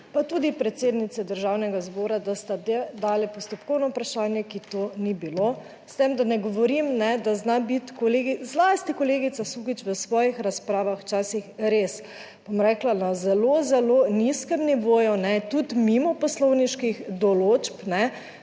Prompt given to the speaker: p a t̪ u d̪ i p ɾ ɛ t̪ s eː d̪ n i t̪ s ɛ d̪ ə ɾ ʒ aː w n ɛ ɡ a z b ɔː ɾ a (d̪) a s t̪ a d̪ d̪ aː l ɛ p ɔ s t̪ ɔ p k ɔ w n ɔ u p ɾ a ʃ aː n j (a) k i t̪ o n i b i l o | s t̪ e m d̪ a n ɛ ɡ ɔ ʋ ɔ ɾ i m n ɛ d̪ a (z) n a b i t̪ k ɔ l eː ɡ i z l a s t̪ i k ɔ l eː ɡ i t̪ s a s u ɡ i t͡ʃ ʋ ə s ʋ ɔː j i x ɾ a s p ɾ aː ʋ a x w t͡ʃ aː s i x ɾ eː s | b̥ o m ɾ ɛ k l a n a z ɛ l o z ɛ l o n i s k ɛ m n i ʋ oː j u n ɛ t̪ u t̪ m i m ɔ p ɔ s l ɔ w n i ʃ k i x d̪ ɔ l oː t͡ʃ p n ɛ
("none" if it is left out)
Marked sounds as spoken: d̪, ɛ, z

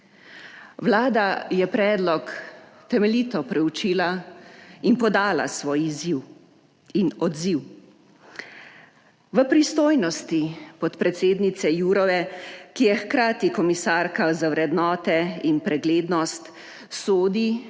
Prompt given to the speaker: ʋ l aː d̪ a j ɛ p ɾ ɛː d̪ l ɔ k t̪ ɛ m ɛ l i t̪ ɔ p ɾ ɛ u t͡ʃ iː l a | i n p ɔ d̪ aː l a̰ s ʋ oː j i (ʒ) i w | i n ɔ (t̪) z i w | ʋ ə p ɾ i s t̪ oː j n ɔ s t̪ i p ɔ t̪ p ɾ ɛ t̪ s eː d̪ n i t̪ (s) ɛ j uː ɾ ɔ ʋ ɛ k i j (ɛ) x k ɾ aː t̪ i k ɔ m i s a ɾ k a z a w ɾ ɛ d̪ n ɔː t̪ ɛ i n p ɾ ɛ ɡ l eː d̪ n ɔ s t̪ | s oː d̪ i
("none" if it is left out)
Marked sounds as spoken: z, d̪, s, ɛ

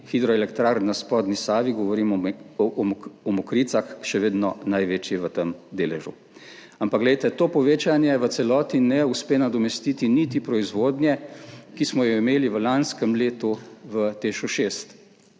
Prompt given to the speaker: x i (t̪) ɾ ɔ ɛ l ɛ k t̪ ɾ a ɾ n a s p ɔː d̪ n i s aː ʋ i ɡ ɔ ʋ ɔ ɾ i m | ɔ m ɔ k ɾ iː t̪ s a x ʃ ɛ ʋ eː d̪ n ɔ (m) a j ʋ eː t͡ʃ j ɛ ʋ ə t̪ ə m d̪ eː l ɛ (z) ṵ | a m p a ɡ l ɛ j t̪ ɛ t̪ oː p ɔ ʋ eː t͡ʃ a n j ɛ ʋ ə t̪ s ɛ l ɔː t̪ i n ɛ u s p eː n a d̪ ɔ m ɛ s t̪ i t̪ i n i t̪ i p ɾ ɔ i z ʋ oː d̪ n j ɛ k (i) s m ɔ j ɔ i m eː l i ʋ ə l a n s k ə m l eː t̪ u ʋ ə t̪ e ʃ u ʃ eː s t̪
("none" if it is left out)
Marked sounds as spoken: d̪, n, ʒ, i

